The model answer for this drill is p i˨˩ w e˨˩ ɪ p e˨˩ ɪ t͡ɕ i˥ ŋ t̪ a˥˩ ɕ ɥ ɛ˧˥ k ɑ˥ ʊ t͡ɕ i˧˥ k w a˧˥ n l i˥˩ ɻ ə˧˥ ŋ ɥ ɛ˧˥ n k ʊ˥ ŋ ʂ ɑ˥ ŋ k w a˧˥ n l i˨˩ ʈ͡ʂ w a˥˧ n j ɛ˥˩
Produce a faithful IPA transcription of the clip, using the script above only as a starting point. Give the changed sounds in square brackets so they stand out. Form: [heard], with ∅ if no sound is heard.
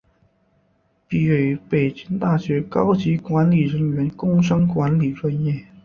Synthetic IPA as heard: p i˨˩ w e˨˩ ɪ p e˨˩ ɪ t͡ɕ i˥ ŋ t̪ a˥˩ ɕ ɥ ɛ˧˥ k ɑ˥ ʊ t͡ɕ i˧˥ k w a˧˥ n l [i˨˩] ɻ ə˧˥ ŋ ɥ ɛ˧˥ n k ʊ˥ ŋ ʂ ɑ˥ ŋ k w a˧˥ n l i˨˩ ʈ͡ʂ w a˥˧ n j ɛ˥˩

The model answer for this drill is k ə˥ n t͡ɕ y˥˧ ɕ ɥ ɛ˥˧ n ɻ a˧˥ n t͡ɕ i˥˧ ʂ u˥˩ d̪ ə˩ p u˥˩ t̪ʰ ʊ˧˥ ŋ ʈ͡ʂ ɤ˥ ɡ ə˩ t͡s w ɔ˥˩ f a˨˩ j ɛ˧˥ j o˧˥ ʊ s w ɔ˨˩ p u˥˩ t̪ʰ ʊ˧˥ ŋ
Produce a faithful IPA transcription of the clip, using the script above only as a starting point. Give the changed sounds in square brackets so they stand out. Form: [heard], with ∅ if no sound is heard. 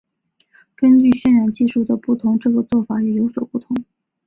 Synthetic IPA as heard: k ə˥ n t͡ɕ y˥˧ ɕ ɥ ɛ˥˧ n ɻ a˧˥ n t͡ɕ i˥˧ ʂ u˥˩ d̪ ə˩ p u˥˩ t̪ʰ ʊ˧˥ ŋ ʈ͡ʂ [ɤ˥˩] ɡ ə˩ t͡s w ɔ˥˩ f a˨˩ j [ɛ˨˩] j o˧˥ ʊ s w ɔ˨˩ p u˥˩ t̪ʰ ʊ˧˥ ŋ

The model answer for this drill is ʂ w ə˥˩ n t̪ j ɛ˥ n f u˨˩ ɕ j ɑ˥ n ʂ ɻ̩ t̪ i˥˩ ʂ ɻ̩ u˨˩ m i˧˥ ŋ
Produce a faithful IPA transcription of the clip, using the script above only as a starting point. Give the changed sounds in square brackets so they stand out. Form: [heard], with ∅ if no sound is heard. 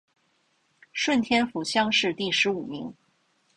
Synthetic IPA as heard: ʂ w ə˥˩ n [t̪ʰ] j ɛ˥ n f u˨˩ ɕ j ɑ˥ [ŋ] ʂ ɻ̩ t̪ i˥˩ ʂ ɻ̩ u˨˩ m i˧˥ ŋ

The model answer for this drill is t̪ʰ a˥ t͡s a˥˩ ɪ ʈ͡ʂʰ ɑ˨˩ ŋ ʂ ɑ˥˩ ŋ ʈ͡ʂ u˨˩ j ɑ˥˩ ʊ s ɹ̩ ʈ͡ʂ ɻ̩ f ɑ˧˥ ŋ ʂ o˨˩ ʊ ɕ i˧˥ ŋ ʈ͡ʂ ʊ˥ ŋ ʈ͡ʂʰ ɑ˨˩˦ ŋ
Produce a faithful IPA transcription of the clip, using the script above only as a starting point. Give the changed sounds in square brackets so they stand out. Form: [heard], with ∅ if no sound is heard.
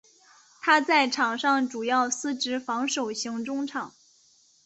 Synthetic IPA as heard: t̪ʰ a˥ t͡s a˥˩ ɪ ʈ͡ʂʰ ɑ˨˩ ŋ ʂ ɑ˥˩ ŋ ʈ͡ʂ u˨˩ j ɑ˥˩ ʊ s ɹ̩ ʈ͡ʂ ɻ̩ f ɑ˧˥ ŋ ʂ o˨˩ ʊ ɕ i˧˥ ŋ ʈ͡ʂ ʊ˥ ŋ ʈ͡ʂʰ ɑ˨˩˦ ŋ

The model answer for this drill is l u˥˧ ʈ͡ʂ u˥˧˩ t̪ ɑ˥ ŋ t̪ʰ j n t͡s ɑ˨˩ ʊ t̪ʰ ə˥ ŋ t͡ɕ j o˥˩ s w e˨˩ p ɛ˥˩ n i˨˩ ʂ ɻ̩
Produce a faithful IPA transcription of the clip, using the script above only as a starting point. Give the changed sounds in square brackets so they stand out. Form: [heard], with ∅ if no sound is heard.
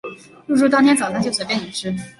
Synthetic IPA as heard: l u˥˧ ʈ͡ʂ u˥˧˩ t̪ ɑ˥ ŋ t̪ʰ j n t͡s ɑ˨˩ ʊ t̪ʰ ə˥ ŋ t͡ɕ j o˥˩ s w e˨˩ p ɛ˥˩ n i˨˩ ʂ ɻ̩

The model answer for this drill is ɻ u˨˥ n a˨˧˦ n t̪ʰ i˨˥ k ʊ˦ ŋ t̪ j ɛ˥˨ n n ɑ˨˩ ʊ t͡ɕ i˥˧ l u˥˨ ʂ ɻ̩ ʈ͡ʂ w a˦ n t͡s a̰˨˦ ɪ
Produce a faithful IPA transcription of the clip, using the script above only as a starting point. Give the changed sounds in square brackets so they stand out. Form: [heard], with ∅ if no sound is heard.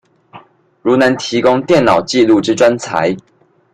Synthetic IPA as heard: ɻ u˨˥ n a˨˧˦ n t̪ʰ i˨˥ k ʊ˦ ŋ t̪ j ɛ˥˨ n n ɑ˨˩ ʊ t͡ɕ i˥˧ l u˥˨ [ʈ͡ʂ] ɻ̩ ʈ͡ʂ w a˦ n [t͡sʰ] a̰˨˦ ɪ

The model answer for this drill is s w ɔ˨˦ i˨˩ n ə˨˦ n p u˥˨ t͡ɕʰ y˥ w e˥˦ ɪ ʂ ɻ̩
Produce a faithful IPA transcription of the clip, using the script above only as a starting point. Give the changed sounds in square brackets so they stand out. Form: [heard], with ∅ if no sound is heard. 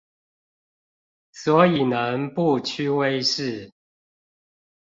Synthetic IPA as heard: s w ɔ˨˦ i˨˩ n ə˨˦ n p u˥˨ t͡ɕʰ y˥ w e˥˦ ɪ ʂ ɻ̩

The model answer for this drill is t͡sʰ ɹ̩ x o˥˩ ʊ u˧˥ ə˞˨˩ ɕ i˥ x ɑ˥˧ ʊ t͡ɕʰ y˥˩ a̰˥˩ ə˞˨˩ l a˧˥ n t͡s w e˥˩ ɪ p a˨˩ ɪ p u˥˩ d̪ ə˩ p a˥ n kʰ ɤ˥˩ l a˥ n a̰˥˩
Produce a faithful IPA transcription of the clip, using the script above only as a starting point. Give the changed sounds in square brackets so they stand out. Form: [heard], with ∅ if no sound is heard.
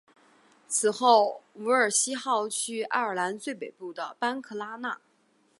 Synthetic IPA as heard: t͡sʰ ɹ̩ x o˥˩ ʊ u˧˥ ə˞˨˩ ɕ i˥ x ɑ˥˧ ʊ t͡ɕʰ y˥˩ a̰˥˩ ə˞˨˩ l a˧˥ n t͡s w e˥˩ ɪ p [e˨˩] ɪ p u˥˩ d̪ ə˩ p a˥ n kʰ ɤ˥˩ l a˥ n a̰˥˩

